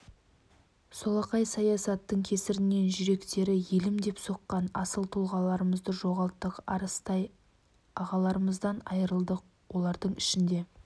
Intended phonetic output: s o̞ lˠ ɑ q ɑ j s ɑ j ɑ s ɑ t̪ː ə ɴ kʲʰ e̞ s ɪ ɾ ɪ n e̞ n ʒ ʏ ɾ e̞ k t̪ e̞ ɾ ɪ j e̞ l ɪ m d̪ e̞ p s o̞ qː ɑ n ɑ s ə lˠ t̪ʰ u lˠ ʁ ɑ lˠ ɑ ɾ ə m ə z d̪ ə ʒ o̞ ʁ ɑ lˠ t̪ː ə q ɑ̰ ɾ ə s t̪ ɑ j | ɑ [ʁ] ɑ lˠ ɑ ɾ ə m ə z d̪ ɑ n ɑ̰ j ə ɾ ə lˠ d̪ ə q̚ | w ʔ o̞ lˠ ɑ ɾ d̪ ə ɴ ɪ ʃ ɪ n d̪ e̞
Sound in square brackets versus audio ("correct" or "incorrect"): correct